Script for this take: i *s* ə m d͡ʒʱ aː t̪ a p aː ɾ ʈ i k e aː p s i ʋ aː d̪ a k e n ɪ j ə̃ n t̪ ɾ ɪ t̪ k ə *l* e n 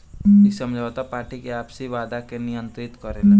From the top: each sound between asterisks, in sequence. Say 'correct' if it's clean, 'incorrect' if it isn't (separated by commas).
correct, incorrect